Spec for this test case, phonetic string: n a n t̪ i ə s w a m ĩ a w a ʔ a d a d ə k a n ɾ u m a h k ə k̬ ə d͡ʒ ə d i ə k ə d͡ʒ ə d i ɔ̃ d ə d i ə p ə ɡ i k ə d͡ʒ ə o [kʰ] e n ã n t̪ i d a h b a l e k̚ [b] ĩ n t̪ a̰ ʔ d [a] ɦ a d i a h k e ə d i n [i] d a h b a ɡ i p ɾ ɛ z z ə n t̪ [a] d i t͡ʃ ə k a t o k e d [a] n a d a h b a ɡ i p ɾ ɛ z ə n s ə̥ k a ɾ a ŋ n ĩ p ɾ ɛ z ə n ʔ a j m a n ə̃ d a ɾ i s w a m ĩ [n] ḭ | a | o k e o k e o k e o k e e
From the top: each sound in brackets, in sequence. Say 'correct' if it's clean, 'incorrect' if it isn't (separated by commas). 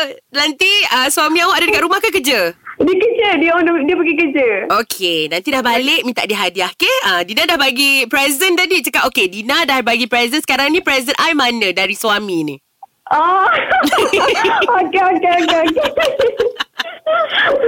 correct, incorrect, incorrect, incorrect, correct, incorrect, correct